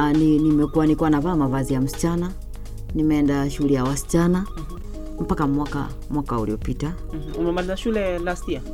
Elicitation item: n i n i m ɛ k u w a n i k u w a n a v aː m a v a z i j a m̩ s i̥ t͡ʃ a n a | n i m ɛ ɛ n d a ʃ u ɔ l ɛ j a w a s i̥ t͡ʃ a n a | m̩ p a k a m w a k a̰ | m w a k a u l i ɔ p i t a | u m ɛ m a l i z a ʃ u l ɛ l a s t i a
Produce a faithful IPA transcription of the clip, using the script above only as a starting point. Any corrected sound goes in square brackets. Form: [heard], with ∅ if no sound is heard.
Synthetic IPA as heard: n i n i m ɛ k u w a n i k u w a n a v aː m a v a z i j a m̩ s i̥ t͡ʃ a n a | n i m ɛ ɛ n d a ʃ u [u] l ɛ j a w a s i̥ t͡ʃ a n a | m̩ p a k a m w a k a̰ | m w a k a u l i ɔ p i t a | u m ɛ m a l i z a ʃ u l ɛ l a s t i a